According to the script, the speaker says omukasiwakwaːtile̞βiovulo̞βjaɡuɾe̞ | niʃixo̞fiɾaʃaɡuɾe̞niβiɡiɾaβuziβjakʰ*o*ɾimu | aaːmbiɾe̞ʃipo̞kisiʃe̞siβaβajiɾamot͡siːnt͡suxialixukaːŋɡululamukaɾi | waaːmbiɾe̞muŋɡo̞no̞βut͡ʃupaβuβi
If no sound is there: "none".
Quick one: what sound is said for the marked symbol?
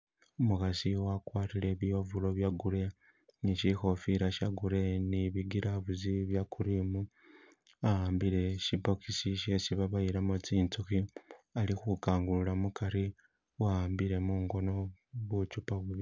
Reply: u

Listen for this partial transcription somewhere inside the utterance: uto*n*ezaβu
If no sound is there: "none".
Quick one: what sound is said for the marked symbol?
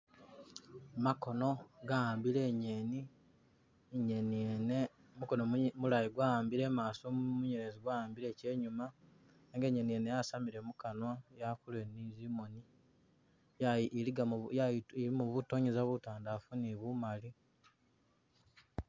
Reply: ɲ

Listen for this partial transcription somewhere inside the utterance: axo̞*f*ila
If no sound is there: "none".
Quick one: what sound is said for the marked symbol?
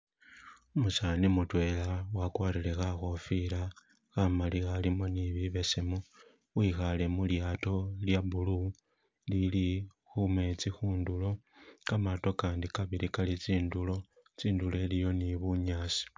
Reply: f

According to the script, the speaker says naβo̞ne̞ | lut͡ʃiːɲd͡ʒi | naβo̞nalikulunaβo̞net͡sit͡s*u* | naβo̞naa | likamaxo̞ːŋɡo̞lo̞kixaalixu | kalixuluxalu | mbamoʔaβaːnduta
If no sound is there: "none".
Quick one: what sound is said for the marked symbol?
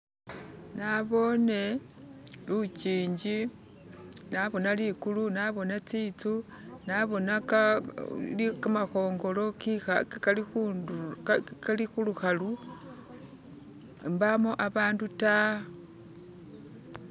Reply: u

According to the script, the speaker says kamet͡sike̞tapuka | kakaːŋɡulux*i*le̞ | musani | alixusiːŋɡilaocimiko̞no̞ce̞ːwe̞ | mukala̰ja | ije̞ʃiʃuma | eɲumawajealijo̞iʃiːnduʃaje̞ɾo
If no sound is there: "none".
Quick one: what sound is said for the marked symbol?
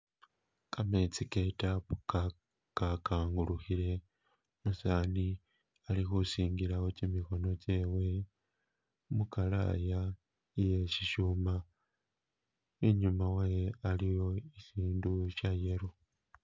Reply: i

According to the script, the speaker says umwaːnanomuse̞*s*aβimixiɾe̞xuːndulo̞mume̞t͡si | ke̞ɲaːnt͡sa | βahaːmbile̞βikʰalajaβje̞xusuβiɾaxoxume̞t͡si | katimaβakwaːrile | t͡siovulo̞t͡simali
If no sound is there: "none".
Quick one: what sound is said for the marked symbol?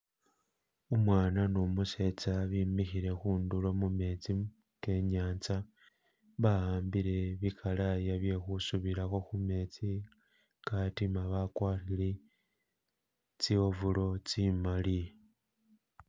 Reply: t͡s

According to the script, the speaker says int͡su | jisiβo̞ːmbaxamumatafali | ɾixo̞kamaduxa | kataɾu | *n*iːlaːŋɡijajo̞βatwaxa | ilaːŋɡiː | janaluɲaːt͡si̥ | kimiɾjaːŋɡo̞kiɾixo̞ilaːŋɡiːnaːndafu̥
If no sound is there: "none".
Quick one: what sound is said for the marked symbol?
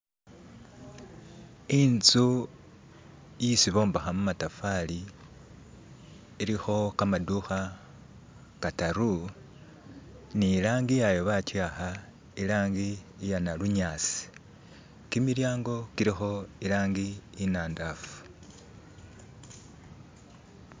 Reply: n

